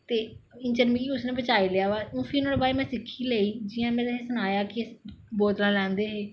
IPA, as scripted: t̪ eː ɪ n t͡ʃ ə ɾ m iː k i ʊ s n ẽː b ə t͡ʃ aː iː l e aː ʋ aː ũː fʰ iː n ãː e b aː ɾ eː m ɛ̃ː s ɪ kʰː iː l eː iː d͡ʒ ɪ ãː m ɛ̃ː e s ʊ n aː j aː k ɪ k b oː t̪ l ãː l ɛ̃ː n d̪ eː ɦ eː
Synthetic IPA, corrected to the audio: t̪ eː ɪ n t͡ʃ ə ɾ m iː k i ʊ s n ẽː b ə t͡ʃ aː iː l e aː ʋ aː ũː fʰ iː n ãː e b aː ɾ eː m ɛ̃ː s ɪ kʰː iː l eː iː d͡ʒ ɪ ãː m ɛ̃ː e s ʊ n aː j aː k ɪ b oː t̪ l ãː l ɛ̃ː n d̪ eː ɦ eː